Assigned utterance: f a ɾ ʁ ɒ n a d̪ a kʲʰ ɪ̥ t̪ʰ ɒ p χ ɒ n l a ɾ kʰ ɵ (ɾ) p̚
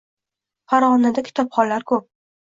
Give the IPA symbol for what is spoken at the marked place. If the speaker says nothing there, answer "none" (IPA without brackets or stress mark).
none